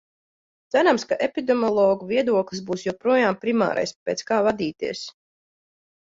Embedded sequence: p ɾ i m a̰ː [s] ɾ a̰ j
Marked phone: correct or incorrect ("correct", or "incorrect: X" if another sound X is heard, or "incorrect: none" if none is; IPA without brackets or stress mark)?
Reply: incorrect: none